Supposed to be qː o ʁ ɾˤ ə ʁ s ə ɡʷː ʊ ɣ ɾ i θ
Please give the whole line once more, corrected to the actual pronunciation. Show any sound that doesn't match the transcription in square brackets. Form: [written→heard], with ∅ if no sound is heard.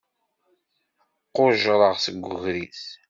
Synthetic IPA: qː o [ʁ→ʒ] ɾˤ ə ʁ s ə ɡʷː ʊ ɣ ɾ i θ